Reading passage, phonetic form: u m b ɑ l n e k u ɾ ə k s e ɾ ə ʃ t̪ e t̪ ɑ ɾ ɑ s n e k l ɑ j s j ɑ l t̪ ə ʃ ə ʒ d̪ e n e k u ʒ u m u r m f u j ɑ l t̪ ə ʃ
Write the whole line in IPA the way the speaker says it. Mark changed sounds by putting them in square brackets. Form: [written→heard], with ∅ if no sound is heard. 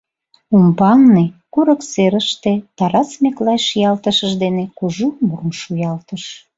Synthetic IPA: u m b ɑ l n e k u ɾ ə k s e ɾ ə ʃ t̪ e t̪ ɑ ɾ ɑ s [n→m] e k l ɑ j [s→ʃ] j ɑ l t̪ ə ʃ ə ʒ d̪ e n e k u ʒ u m u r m [f→ʃ] u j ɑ l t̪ ə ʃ